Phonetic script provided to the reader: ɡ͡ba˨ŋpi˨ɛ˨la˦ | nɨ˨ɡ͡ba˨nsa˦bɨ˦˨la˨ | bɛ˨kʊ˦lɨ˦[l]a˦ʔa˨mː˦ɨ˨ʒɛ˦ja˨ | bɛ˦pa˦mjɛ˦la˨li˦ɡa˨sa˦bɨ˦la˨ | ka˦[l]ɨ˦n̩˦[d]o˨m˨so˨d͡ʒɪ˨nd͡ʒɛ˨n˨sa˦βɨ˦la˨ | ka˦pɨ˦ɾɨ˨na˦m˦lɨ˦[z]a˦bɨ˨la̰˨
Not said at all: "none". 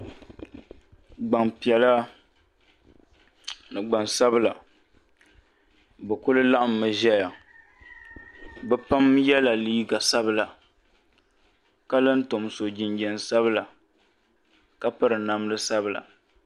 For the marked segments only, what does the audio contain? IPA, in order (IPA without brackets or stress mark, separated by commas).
l, l, t, s